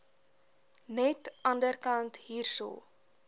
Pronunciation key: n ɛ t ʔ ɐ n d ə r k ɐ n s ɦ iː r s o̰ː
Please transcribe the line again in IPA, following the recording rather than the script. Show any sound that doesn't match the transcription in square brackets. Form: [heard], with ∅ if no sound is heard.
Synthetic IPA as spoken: n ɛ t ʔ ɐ n d ə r k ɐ n [t] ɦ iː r s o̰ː